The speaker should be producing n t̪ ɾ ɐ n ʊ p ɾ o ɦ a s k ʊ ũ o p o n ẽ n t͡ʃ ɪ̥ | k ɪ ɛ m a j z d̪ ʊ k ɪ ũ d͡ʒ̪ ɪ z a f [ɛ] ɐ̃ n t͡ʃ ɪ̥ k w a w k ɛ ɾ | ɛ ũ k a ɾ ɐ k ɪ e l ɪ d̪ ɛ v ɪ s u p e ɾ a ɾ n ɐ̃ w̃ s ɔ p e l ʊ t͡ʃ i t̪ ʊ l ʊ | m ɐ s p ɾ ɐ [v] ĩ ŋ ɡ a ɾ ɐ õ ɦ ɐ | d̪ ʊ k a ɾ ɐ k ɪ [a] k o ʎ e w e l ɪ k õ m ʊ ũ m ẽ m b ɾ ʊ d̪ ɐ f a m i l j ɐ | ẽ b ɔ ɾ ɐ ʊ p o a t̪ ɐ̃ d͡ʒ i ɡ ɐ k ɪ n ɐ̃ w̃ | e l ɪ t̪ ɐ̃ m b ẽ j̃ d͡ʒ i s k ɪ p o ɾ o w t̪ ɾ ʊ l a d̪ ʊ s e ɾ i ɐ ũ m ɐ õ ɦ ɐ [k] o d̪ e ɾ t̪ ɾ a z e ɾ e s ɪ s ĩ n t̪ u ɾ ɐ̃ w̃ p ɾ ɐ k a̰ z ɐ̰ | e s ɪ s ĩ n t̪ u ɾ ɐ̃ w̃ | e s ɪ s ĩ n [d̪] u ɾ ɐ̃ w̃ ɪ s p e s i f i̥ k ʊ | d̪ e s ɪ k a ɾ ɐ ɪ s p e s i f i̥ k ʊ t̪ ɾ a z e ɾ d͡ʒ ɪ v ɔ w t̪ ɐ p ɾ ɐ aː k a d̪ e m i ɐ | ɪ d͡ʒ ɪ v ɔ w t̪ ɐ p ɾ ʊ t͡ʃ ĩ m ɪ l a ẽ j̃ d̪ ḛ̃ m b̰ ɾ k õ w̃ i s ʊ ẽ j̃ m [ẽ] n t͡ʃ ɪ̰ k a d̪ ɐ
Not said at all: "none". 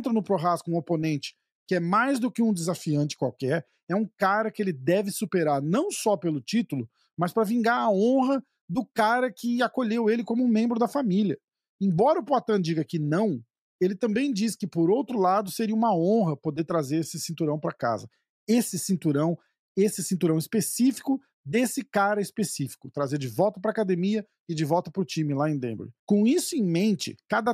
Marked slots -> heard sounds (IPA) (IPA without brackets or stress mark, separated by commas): i, v, a, p, t̪, ẽ